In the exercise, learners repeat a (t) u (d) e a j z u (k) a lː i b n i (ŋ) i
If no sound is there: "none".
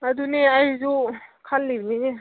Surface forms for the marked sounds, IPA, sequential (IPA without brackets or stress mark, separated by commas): d, n, kʰ, n